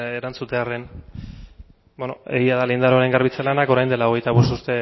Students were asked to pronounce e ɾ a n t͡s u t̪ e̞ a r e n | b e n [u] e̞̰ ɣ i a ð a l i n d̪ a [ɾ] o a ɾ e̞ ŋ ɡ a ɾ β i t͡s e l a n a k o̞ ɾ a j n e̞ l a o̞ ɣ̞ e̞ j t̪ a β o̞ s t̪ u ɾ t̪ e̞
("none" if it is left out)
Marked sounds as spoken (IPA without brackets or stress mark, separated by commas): o, ɾ